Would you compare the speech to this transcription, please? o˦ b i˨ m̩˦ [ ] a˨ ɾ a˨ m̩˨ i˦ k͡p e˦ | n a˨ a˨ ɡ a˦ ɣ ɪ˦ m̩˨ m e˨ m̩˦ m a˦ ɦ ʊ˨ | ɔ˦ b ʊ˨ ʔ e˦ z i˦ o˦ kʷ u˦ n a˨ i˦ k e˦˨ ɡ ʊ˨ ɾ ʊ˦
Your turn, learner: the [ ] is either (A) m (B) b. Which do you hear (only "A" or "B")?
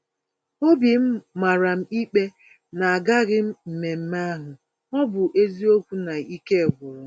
A